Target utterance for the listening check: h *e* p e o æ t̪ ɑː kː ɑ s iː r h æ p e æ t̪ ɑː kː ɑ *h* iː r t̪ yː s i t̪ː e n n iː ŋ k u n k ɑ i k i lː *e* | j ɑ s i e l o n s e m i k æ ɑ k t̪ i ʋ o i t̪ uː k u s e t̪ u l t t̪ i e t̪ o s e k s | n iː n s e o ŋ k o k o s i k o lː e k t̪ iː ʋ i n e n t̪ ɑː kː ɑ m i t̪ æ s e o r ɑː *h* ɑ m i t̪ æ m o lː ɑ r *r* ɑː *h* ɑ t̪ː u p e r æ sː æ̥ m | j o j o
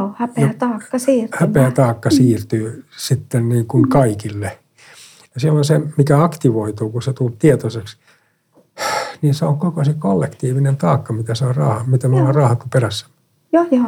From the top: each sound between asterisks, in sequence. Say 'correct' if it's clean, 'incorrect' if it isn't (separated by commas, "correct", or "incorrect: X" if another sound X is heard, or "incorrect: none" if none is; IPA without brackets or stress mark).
incorrect: æ, incorrect: s, correct, correct, correct, correct